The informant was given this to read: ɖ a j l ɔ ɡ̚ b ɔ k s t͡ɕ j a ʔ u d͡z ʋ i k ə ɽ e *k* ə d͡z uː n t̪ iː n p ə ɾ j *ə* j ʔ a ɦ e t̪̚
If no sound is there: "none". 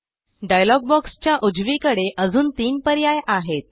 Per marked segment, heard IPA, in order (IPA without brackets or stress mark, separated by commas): ʔ, a